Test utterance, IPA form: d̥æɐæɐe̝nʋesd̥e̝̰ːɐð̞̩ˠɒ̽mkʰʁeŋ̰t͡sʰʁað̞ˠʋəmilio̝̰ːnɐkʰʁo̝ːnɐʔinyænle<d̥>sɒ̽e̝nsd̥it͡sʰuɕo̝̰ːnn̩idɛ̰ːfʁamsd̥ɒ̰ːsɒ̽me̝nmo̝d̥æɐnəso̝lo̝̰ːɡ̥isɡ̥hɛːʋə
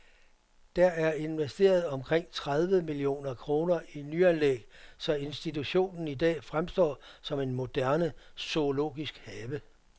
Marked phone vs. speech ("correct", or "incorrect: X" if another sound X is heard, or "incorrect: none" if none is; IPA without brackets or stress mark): incorrect: ɡ̥